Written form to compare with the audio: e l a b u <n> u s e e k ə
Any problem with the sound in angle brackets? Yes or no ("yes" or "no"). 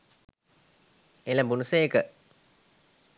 no